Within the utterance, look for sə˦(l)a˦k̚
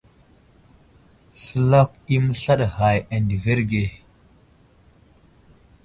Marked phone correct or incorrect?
correct